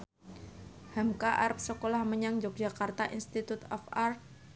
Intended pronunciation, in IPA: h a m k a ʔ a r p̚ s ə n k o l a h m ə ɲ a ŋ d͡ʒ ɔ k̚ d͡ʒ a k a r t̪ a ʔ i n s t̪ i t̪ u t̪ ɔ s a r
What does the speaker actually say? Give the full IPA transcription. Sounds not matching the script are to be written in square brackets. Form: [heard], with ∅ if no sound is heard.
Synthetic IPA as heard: h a m k a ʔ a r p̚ s ə [∅] k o l a h m ə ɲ a ŋ d͡ʒ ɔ k̚ d͡ʒ a k a r t̪ a ʔ i n s t̪ i t̪ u t̪ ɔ [f] a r